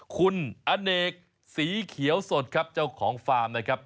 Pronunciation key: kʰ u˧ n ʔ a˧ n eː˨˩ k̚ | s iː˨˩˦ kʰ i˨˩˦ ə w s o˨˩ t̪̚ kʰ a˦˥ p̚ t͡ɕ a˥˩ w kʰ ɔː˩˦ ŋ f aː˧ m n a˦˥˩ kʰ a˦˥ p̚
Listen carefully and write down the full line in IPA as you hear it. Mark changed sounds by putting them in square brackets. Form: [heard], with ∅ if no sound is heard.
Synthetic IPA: kʰ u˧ n ʔ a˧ n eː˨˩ k̚ | s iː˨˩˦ kʰ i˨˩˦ ə w s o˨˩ t̪̚ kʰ a˦˥ p̚ t͡ɕ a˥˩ w kʰ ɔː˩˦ ŋ f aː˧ m n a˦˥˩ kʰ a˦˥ p̚